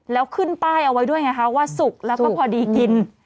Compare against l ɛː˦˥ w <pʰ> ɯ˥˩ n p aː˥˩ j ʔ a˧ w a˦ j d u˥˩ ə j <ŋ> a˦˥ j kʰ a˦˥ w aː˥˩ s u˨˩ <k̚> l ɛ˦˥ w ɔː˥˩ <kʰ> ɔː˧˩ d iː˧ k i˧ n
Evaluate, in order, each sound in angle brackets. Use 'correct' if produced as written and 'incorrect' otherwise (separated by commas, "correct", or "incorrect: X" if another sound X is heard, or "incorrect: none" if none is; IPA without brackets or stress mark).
incorrect: kʰ, correct, correct, incorrect: pʰ